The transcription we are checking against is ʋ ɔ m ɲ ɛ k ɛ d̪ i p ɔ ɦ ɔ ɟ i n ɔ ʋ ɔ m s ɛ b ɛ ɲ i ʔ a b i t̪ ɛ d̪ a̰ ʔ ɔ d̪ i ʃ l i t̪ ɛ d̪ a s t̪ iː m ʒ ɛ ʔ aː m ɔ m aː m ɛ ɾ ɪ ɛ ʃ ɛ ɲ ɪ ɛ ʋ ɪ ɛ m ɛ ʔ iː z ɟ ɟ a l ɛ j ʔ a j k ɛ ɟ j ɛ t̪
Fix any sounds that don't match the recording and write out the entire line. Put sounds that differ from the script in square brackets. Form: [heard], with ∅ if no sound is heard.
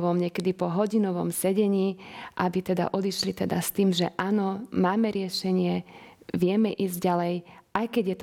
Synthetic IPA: ʋ ɔ m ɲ ɛ k ɛ d̪ i p ɔ ɦ ɔ ɟ i n ɔ ʋ ɔ m s ɛ [ɟ] ɛ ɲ [iː] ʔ a b i t̪ ɛ d̪ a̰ ʔ ɔ d̪ i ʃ l i t̪ ɛ d̪ a s t̪ iː m ʒ ɛ ʔ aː [n] ɔ m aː m ɛ ɾ ɪ ɛ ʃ ɛ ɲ ɪ ɛ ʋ ɪ ɛ m ɛ ʔ iː z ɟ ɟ a l ɛ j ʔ a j k ɛ ɟ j ɛ t̪